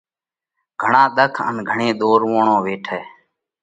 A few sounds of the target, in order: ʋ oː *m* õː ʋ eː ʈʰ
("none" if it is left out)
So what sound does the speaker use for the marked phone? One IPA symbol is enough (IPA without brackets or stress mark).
ɳ